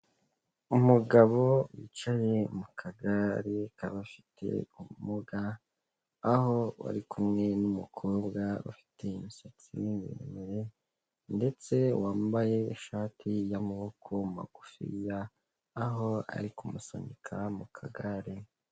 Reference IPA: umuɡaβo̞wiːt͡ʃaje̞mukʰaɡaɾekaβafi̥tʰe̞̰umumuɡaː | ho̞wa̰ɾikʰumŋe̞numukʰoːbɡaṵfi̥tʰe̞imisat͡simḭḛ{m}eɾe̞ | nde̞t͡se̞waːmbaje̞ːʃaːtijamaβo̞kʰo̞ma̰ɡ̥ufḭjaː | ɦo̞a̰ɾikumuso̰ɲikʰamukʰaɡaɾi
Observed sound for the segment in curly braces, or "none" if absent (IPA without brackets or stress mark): m